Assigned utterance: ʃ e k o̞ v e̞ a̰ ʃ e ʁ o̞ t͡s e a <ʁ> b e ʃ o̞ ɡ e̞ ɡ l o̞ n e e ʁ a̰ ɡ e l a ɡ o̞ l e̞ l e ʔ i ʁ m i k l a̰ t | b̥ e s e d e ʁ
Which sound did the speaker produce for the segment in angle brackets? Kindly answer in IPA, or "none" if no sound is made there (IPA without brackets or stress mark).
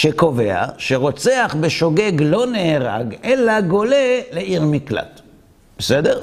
χ